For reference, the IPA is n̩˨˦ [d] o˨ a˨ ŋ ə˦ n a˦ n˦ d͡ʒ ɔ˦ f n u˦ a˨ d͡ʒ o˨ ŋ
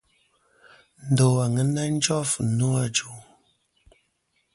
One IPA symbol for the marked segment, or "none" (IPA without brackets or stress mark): d